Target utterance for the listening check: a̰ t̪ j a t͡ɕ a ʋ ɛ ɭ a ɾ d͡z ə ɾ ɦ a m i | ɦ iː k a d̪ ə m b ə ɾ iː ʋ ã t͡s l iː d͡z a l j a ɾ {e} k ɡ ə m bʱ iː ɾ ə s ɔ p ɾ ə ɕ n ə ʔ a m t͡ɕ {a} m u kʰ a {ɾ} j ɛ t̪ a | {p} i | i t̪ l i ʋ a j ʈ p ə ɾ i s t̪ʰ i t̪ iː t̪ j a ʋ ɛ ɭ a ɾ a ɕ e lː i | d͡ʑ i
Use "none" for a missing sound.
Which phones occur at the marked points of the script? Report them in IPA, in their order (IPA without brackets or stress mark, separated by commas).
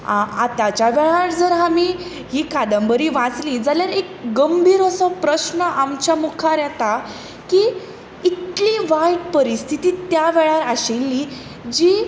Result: e, a, ɾ, k